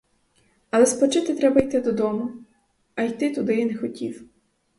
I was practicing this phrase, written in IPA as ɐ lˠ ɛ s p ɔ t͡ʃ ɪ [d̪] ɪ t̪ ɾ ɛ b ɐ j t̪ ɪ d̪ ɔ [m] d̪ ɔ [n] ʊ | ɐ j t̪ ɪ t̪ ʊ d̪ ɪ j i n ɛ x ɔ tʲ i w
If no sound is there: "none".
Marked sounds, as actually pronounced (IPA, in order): t̪, none, m

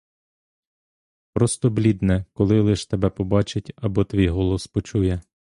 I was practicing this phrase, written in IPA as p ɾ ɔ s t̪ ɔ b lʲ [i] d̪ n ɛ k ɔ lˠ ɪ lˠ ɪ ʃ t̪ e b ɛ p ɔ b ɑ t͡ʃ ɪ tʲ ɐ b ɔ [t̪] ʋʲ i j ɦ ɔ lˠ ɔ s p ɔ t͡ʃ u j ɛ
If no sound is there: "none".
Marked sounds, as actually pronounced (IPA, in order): i, t̪

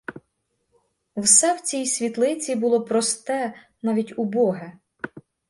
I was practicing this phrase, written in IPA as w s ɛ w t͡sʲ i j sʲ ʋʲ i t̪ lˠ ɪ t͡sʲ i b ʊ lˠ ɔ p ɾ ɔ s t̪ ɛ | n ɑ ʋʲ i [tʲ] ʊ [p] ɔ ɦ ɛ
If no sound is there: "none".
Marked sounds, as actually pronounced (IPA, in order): tʲ, b

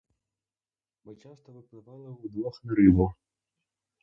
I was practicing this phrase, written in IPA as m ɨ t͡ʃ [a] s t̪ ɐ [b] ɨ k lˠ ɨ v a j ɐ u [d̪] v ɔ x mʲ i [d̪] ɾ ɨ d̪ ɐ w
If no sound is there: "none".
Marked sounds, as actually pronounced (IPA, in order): a, v, d̪, none

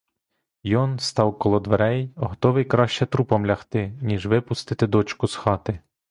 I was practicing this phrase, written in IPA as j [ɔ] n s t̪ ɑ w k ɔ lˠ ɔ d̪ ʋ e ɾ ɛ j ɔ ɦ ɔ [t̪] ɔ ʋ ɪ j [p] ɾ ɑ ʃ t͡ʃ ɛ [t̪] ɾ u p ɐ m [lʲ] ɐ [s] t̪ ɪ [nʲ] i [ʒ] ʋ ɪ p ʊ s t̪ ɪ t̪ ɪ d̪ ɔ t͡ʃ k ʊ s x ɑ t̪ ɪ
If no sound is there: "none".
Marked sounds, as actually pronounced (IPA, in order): ɔ, t̪, k, t̪, lʲ, x, nʲ, ʒ

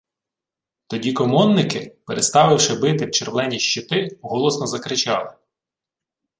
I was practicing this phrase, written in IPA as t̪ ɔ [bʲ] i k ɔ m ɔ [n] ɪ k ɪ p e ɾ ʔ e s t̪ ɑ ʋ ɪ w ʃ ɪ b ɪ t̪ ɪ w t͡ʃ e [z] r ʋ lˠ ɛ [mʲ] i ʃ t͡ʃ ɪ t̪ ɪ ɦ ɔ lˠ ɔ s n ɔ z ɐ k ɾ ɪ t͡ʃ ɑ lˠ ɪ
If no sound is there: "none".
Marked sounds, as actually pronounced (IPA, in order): dʲ, nː, none, nʲ

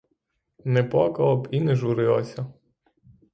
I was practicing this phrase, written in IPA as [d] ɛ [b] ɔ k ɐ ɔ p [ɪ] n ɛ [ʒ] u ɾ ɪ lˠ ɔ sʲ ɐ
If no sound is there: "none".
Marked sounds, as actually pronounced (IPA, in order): n, p, i, ʒ

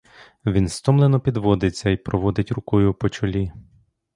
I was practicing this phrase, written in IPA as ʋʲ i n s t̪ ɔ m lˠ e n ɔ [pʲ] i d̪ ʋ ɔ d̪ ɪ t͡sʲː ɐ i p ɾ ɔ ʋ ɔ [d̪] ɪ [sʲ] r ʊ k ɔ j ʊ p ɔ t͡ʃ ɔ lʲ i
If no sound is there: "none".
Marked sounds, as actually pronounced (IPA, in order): pʲ, d̪, tʲ

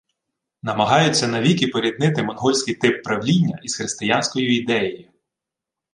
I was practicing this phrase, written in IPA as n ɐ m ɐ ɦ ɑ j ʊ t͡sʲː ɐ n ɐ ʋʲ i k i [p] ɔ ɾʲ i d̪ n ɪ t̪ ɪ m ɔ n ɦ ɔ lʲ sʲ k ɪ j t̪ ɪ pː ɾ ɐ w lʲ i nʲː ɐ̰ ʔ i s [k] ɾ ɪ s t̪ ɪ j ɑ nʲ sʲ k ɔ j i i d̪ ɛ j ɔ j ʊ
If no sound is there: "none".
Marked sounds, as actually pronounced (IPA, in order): p, x

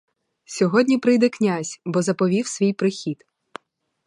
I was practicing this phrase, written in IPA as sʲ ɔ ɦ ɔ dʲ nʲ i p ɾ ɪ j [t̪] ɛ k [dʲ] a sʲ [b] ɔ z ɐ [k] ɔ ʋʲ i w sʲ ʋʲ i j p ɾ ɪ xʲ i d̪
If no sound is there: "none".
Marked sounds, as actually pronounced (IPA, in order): d̪, nʲ, b, p

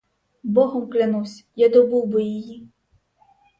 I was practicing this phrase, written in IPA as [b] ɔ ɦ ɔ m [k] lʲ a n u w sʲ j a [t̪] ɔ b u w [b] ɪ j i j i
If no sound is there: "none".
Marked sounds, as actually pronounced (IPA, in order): b, k, d̪, b

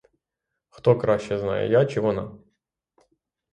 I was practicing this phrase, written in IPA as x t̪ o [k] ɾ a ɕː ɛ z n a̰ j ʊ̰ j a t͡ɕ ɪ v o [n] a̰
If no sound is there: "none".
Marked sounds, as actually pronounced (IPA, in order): k, n

